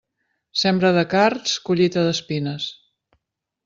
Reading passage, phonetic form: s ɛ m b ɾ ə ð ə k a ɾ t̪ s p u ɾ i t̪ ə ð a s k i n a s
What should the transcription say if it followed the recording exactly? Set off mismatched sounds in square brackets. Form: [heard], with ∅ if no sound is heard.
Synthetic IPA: s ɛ m b ɾ ə ð ə k a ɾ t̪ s [k] u [ʎ] i t̪ ə ð [ə] s [p] i n [ə] s